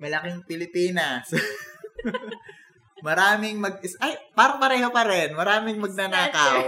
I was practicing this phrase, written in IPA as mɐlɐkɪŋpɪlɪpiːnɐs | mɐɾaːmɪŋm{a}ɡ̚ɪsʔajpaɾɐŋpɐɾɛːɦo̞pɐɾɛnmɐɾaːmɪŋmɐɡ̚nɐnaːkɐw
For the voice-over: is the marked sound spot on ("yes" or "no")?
no